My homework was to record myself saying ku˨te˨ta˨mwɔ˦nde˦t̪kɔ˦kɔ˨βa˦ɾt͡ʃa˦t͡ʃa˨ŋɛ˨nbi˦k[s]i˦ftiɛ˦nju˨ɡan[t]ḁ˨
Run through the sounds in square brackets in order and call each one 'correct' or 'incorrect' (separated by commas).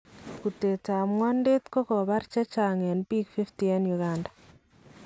incorrect, incorrect